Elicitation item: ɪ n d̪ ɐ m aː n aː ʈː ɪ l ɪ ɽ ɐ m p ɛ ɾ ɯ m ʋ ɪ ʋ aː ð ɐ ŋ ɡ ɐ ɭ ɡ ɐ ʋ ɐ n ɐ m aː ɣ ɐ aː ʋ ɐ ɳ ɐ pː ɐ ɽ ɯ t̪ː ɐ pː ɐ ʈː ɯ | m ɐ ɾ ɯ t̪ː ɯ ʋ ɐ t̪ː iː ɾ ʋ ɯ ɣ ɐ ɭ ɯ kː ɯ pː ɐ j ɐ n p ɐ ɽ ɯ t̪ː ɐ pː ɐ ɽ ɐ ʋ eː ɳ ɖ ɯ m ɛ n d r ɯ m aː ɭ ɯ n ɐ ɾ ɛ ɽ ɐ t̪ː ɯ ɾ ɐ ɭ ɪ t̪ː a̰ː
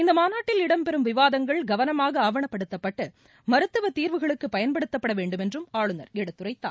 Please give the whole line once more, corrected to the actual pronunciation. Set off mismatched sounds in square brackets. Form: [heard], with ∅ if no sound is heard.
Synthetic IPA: ɪ n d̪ ɐ m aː n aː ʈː ɪ l ɪ ɽ ɐ m p ɛ ɾ ɯ m ʋ ɪ ʋ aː ð ɐ ŋ ɡ ɐ ɭ ɡ ɐ ʋ ɐ n ɐ m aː ɣ ɐ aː ʋ ɐ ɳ ɐ pː ɐ ɽ ɯ t̪ː ɐ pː ɐ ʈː ɯ | m ɐ ɾ ɯ t̪ː ɯ ʋ ɐ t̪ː iː ɾ ʋ ɯ ɣ ɐ ɭ ɯ kː ɯ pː ɐ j ɐ n p ɐ ɽ ɯ t̪ː ɐ pː ɐ ɽ ɐ ʋ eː ɳ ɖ ɯ m ɛ n d r ɯ m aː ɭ ɯ n ɐ ɾ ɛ ɽ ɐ t̪ː ɯ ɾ ɐ [∅] ɪ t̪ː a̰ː

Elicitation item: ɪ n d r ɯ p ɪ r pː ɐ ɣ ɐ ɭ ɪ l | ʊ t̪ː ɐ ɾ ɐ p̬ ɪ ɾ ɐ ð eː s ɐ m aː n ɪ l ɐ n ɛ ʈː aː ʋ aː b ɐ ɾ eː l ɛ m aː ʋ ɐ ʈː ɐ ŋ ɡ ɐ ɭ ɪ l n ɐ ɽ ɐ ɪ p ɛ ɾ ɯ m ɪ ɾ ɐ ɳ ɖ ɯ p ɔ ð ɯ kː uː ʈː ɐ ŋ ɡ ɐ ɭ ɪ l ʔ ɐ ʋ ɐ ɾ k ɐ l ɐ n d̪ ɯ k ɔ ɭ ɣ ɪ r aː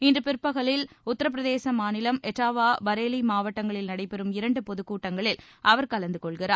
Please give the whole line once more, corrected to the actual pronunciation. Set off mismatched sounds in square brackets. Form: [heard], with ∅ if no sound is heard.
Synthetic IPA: ɪ n d r ɯ p ɪ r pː ɐ ɣ ɐ ɭ ɪ l | ʊ t̪ː ɐ ɾ ɐ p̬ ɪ ɾ ɐ ð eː s ɐ m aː n ɪ l ɐ [m] ɛ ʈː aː ʋ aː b ɐ ɾ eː l [i] m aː ʋ ɐ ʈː ɐ ŋ ɡ ɐ ɭ ɪ l n ɐ ɽ ɐ ɪ p ɛ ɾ ɯ m ɪ ɾ ɐ ɳ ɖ ɯ p ɔ ð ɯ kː uː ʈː ɐ ŋ ɡ ɐ ɭ ɪ l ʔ ɐ ʋ ɐ ɾ k ɐ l ɐ n d̪ ɯ k ɔ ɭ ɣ ɪ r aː

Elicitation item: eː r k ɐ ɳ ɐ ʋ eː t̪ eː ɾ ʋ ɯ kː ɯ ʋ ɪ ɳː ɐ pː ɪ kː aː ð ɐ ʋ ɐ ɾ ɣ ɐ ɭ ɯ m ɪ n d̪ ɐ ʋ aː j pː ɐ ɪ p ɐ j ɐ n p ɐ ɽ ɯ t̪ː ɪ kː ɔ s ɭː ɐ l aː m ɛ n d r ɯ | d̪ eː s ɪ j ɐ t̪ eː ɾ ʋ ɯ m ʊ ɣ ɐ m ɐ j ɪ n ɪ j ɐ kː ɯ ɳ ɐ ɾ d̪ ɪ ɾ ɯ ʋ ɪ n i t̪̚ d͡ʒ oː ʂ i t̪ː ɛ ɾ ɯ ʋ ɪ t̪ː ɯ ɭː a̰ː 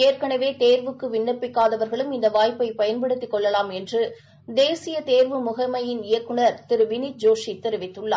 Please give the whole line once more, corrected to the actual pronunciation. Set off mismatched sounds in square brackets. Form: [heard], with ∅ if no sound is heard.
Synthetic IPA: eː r k ɐ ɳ ɐ ʋ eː t̪ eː ɾ ʋ ɯ kː ɯ ʋ ɪ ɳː ɐ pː ɪ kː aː ð ɐ ʋ ɐ ɾ ɣ ɐ ɭ ɯ m ɪ n d̪ ɐ ʋ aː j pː ɐ ɪ p ɐ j ɐ n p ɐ ɽ ɯ t̪ː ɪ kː ɔ [∅] ɭː ɐ l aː m ɛ n d r ɯ | d̪ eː s ɪ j ɐ t̪ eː ɾ ʋ ɯ m ʊ ɣ ɐ m ɐ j ɪ n ɪ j ɐ kː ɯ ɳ ɐ ɾ [t̪] ɪ ɾ ɯ ʋ ɪ n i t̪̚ d͡ʒ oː ʂ i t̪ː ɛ ɾ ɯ ʋ ɪ t̪ː ɯ ɭː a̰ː

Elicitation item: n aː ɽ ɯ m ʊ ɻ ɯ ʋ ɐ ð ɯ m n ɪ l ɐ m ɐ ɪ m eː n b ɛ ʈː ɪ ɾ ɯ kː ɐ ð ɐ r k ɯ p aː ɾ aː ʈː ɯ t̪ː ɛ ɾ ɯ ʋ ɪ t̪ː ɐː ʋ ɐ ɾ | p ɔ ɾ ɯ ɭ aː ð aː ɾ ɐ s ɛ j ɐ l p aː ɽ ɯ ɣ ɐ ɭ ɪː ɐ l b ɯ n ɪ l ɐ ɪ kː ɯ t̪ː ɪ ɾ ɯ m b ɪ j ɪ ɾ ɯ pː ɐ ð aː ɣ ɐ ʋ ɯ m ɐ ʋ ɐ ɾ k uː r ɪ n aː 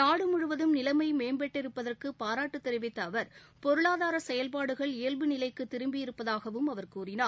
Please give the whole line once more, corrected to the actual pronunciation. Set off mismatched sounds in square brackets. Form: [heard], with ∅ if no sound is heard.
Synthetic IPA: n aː ɽ ɯ m ʊ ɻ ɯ ʋ ɐ ð ɯ m n ɪ l ɐ m ɐ ɪ m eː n b ɛ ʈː ɪ ɾ ɯ [pː] ɐ ð ɐ r k ɯ p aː ɾ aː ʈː ɯ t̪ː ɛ ɾ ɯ ʋ ɪ t̪ː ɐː ʋ ɐ ɾ | p ɔ ɾ ɯ ɭ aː ð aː ɾ ɐ s ɛ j ɐ l p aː ɽ ɯ ɣ ɐ ɭ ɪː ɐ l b ɯ n ɪ l ɐ ɪ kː ɯ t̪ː ɪ ɾ ɯ m b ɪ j ɪ ɾ ɯ pː ɐ ð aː ɣ ɐ ʋ ɯ m ɐ ʋ ɐ ɾ k uː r ɪ n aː

